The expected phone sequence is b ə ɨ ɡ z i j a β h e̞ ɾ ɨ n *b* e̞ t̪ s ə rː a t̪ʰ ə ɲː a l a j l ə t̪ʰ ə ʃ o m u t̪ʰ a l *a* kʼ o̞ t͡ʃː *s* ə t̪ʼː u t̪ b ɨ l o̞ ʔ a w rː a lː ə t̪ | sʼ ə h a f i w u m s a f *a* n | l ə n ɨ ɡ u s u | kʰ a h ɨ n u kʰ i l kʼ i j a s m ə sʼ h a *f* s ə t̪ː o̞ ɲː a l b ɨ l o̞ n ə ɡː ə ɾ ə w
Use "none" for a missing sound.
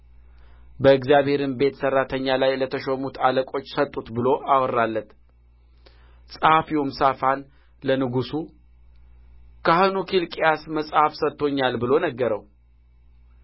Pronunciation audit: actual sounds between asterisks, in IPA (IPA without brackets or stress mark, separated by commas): b, ə, s, a, f